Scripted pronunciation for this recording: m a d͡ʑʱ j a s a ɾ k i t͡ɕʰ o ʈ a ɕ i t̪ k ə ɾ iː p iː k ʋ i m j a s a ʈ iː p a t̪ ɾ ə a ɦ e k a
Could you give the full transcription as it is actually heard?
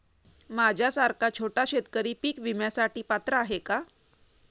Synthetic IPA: m a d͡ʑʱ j a s a ɾ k a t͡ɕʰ o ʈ a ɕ e t̪ k ə ɾ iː p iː k ʋ i m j a s a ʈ iː p a t̪ ɾ ə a ɦ e k a